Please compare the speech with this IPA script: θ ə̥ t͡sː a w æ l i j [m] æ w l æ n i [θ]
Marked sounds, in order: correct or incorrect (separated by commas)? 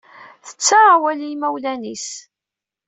correct, incorrect